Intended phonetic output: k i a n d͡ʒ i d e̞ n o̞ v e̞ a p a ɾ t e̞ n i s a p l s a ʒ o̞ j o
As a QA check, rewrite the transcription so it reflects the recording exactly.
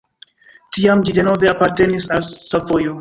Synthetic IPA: t i a m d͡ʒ i d e̞ n o̞ v e̞ a p a ɾ t e̞ n i s a l s a v o̞ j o